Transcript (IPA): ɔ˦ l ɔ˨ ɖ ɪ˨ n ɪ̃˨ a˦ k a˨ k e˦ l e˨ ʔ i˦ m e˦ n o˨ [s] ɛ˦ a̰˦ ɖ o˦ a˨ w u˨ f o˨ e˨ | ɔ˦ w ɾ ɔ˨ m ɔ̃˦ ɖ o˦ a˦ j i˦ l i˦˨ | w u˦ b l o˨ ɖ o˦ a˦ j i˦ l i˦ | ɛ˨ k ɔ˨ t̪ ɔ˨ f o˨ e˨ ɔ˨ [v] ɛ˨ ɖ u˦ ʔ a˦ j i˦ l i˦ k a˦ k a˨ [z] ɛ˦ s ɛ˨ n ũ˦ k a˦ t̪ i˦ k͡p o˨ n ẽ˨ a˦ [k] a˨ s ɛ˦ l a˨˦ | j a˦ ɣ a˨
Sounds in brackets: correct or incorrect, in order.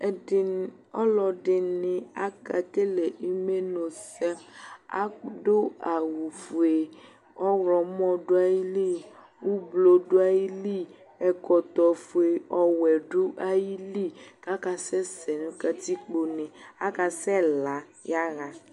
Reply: correct, incorrect, incorrect, correct

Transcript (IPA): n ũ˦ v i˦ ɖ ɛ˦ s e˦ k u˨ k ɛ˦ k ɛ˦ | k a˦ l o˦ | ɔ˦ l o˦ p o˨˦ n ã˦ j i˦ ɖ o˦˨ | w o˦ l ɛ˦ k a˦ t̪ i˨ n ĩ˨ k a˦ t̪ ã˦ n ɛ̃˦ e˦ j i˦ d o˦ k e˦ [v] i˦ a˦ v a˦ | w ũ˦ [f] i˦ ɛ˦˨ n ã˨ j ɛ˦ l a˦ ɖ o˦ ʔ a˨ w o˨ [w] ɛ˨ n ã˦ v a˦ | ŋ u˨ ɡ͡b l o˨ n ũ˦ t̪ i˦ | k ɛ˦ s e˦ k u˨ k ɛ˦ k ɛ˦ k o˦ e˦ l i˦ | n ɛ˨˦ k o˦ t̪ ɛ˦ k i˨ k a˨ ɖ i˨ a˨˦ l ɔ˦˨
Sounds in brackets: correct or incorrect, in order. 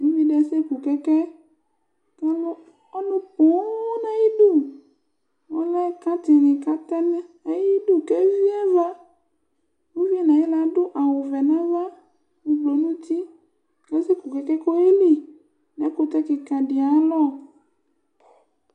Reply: correct, incorrect, incorrect

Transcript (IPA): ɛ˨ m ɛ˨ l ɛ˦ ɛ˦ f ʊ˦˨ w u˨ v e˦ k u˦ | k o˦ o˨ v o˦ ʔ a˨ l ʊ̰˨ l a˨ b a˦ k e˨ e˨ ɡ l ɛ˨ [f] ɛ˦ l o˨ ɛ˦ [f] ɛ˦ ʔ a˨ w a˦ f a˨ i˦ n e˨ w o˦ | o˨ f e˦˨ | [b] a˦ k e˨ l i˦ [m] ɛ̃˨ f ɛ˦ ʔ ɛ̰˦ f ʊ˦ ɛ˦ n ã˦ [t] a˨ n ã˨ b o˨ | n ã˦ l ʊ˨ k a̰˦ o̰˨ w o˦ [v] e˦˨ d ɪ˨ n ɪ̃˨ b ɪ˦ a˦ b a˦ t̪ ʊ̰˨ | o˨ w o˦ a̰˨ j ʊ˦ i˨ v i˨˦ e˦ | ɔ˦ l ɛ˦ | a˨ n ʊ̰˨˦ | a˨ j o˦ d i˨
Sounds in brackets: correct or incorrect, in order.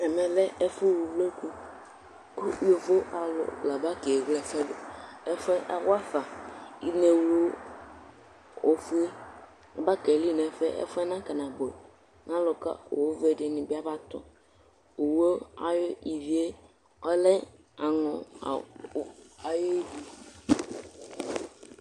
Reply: correct, correct, correct, incorrect, incorrect, correct

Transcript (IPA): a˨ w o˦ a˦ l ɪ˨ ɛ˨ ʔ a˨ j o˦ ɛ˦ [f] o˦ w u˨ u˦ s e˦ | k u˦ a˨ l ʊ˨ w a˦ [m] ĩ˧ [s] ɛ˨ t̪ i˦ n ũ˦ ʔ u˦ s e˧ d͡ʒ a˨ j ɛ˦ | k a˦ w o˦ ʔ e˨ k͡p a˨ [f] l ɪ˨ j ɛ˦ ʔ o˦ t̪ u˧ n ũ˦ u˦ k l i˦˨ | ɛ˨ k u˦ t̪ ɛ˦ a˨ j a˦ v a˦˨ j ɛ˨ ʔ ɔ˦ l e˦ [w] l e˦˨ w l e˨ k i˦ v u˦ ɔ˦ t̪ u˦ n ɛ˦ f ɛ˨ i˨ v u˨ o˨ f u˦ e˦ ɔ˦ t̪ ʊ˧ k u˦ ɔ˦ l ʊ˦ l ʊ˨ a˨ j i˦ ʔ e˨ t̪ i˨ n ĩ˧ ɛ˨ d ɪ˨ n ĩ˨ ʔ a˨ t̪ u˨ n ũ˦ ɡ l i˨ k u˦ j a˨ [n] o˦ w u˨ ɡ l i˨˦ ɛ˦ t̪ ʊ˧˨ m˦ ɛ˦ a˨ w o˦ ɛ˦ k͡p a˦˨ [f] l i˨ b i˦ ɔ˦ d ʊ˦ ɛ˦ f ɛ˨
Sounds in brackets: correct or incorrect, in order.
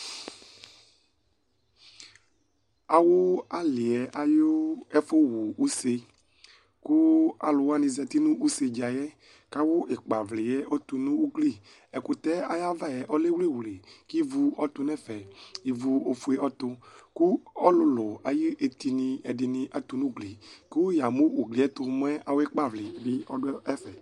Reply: correct, incorrect, incorrect, incorrect, correct, incorrect, incorrect

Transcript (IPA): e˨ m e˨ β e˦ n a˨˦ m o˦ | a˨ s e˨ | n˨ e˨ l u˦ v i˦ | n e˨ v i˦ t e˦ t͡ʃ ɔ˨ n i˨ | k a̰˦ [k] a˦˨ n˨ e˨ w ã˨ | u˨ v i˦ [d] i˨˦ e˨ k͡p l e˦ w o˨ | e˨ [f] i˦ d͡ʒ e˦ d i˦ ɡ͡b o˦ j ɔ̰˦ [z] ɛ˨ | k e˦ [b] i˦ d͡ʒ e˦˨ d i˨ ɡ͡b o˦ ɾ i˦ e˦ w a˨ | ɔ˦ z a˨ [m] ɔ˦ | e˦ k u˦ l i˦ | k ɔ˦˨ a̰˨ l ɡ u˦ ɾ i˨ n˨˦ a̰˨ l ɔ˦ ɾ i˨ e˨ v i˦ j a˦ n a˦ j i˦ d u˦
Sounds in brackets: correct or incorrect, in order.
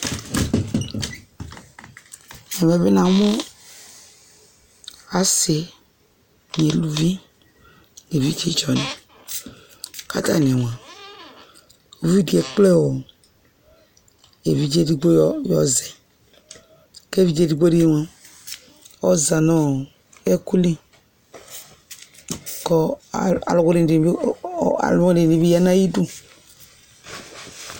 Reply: incorrect, correct, incorrect, correct, incorrect, incorrect

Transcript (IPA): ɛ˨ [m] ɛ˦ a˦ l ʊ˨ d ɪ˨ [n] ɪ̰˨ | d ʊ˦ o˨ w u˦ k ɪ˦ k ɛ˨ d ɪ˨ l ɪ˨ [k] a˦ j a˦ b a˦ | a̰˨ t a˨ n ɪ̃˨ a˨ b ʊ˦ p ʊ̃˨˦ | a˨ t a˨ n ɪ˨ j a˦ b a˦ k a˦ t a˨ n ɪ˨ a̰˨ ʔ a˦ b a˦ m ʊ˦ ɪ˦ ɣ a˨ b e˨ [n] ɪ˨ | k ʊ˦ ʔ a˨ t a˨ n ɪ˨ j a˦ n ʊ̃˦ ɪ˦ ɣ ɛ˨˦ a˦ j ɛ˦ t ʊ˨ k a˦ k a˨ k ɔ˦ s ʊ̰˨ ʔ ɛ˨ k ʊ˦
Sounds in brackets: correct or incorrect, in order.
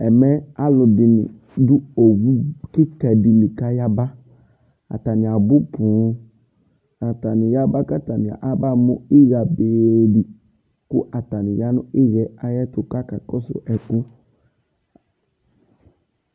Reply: correct, correct, correct, incorrect

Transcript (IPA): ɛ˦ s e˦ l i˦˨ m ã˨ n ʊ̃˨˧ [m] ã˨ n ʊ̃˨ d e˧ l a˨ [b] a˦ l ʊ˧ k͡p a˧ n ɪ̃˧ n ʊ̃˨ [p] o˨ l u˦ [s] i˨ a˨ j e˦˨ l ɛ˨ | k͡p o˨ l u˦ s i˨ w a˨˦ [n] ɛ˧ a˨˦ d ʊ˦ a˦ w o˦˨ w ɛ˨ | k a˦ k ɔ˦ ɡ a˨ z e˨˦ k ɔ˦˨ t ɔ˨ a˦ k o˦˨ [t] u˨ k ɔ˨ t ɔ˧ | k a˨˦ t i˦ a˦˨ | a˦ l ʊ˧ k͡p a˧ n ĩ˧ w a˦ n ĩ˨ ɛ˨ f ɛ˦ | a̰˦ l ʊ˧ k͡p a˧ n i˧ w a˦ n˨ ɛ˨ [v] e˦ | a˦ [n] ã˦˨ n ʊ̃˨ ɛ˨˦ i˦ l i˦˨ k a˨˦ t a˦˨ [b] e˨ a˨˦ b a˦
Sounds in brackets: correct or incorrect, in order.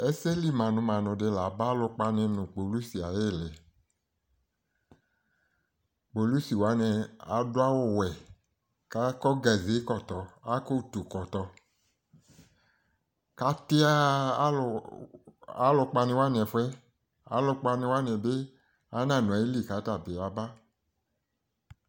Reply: correct, correct, incorrect, correct, correct, correct, incorrect, correct, correct

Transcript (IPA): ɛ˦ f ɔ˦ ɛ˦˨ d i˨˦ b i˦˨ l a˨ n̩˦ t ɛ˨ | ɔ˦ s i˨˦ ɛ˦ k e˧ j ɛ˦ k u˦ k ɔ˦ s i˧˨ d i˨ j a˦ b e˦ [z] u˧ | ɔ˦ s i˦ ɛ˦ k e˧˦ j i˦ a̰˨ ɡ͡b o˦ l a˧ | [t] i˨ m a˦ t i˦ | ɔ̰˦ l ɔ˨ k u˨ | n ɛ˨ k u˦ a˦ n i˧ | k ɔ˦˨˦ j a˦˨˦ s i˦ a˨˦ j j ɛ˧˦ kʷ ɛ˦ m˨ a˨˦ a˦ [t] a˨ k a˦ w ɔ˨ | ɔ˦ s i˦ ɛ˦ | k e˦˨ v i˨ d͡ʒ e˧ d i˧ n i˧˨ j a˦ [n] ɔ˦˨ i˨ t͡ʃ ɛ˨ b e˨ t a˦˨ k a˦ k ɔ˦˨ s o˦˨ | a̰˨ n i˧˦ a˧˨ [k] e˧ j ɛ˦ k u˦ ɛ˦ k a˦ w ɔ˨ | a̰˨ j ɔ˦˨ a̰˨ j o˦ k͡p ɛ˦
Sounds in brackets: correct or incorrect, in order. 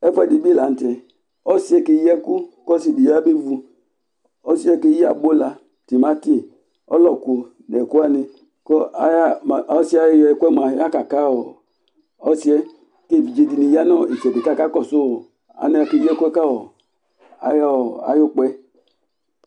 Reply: incorrect, correct, incorrect, correct, correct

